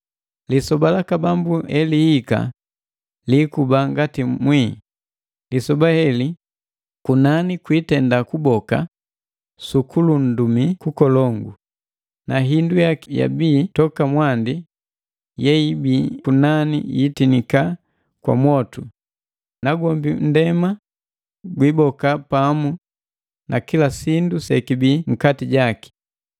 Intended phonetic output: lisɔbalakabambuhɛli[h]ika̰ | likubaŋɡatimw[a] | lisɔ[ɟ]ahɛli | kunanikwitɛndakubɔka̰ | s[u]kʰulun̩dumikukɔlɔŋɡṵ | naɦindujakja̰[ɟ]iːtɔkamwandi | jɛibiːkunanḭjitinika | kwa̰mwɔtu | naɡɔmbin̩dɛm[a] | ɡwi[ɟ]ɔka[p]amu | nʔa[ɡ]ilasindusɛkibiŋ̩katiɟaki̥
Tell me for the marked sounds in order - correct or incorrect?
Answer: correct, incorrect, incorrect, correct, incorrect, correct, incorrect, correct, incorrect

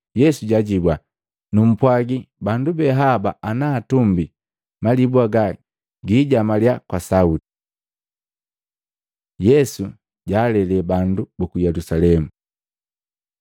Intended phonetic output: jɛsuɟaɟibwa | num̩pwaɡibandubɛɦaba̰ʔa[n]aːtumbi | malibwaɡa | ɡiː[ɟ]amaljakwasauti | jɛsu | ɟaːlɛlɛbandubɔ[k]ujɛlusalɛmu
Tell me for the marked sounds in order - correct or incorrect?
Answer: correct, correct, correct

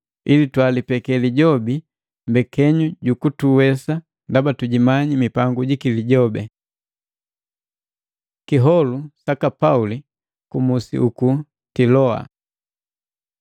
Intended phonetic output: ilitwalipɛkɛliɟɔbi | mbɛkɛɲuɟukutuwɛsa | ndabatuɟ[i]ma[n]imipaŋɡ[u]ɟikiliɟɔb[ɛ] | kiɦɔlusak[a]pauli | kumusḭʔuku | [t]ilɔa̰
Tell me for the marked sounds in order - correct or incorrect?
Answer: correct, incorrect, correct, correct, correct, correct

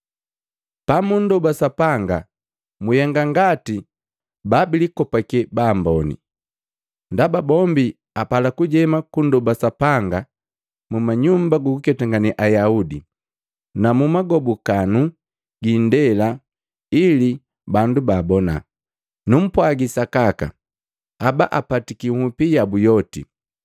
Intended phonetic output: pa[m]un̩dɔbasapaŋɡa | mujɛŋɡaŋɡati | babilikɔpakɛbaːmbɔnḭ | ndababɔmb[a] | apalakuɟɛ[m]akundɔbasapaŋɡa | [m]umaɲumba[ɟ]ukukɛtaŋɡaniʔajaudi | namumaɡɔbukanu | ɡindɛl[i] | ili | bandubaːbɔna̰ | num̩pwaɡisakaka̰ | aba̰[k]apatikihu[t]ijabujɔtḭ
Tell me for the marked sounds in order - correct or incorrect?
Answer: correct, incorrect, correct, correct, incorrect, incorrect, incorrect, incorrect

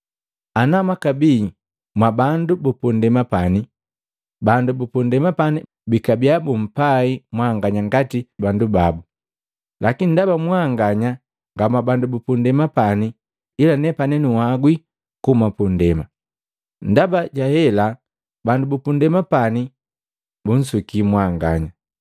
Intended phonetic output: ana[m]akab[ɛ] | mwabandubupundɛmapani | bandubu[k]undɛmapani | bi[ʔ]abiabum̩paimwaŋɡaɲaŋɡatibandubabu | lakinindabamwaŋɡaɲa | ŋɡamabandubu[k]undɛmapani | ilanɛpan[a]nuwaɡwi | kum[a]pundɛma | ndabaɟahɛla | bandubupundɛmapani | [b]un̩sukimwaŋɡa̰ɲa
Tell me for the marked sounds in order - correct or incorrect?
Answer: correct, incorrect, incorrect, incorrect, incorrect, incorrect, correct, correct

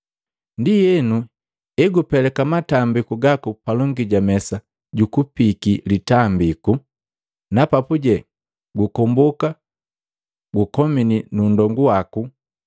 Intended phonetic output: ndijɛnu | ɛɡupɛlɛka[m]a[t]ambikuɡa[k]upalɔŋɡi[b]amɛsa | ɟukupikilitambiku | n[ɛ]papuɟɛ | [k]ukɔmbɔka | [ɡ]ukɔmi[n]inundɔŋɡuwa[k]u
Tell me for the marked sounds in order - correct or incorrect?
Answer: correct, correct, correct, incorrect, incorrect, incorrect, correct, correct, correct

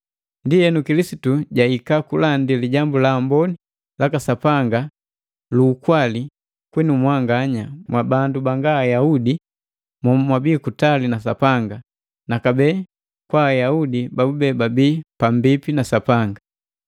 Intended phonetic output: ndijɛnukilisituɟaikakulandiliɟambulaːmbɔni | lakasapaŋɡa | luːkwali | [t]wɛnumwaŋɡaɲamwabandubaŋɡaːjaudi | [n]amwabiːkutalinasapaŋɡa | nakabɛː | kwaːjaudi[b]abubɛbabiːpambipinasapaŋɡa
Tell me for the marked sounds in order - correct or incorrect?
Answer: incorrect, incorrect, correct

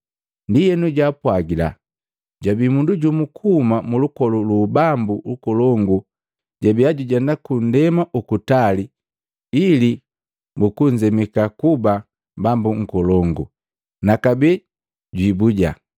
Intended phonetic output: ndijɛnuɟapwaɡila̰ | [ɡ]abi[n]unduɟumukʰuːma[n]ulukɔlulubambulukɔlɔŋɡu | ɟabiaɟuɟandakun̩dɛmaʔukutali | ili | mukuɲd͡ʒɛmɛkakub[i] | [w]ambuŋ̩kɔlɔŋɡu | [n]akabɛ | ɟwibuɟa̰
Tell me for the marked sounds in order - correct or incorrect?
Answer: incorrect, incorrect, incorrect, incorrect, incorrect, correct

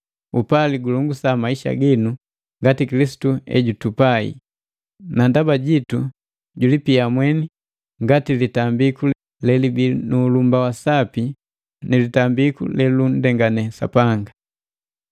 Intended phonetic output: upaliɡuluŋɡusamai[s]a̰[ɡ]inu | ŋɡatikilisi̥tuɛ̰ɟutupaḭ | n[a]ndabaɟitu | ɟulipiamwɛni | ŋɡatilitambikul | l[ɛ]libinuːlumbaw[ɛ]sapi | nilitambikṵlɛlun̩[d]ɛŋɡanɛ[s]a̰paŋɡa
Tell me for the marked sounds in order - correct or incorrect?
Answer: incorrect, correct, correct, correct, incorrect, correct, correct

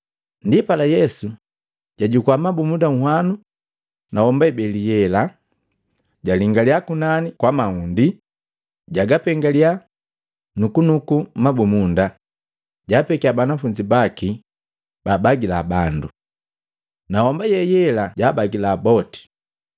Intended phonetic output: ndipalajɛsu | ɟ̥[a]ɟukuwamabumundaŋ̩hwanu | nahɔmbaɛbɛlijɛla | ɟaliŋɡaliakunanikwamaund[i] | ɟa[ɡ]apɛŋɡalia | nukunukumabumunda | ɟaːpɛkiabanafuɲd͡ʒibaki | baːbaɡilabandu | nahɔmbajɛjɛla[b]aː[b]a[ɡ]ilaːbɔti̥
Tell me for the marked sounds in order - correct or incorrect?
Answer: correct, correct, correct, incorrect, correct, correct

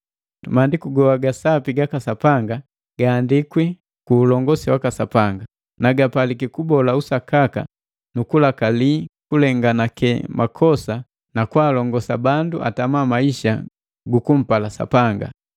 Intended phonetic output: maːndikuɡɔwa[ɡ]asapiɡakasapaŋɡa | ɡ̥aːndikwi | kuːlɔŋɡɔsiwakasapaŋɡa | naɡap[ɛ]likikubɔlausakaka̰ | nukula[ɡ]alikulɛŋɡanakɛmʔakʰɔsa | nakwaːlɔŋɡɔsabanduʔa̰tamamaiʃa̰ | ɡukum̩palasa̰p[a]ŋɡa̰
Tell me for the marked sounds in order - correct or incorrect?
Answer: correct, incorrect, incorrect, correct

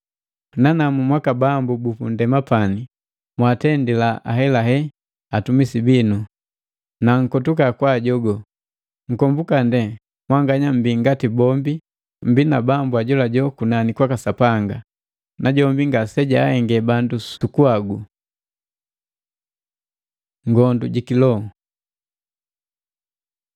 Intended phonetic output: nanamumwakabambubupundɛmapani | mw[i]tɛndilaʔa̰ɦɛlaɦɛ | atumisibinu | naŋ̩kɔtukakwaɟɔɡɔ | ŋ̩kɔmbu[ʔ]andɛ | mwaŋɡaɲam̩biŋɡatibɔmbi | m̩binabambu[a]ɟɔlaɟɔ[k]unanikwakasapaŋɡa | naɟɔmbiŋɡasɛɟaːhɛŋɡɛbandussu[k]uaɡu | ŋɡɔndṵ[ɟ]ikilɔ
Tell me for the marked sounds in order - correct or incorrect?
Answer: incorrect, incorrect, correct, correct, correct, correct

